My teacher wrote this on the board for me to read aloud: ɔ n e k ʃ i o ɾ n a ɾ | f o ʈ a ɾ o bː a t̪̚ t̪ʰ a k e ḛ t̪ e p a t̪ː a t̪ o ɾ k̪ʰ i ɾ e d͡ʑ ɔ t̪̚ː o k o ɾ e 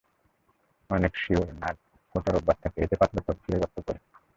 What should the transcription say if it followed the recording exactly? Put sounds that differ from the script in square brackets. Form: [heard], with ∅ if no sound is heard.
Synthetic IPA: ɔ n e k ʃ i o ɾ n a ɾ | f o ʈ a ɾ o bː a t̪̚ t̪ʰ a k e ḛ t̪ e p a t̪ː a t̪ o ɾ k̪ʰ i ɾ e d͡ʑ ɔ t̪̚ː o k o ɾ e